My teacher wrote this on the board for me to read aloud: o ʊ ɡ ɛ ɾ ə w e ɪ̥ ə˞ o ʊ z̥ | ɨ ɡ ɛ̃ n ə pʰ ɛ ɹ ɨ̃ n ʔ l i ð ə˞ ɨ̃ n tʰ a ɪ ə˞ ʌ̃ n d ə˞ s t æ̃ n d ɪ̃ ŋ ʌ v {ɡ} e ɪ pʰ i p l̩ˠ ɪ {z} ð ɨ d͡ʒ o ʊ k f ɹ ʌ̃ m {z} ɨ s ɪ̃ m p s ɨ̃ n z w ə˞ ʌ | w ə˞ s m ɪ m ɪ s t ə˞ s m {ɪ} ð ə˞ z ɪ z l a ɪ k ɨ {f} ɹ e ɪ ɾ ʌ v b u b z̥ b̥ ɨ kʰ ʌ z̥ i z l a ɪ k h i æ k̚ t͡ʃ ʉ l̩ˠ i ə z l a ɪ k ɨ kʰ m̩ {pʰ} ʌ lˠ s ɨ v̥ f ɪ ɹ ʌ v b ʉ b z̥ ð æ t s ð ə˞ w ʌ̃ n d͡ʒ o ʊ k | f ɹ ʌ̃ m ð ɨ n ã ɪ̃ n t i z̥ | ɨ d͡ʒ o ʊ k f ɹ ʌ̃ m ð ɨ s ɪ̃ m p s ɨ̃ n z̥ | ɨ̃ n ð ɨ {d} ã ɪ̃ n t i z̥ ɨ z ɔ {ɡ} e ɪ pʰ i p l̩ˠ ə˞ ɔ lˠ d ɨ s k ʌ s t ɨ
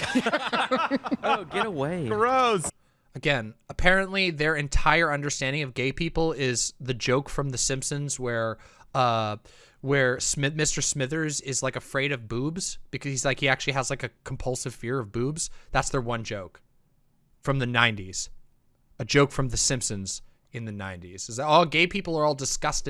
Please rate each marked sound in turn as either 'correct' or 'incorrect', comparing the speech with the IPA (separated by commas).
correct, correct, incorrect, correct, correct, correct, incorrect, correct